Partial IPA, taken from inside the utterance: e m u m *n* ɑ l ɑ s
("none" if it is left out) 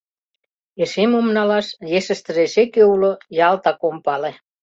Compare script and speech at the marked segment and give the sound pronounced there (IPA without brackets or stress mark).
n